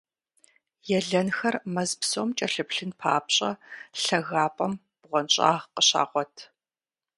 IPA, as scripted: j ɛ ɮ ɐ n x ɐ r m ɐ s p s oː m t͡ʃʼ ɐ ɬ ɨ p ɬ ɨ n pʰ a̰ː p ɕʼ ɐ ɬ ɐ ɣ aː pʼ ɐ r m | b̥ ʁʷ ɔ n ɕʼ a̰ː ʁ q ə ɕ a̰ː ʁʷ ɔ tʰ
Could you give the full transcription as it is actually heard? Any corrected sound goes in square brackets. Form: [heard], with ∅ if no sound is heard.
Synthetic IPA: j ɛ ɮ ɐ n x ɐ r m ɐ [z] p s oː m t͡ʃʼ ɐ ɬ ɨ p ɬ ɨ n pʰ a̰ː p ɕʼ ɐ ɬ ɐ ɣ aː pʼ ɐ [∅] m | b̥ ʁʷ ɔ n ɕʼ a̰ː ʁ q ə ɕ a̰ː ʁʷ ɔ tʰ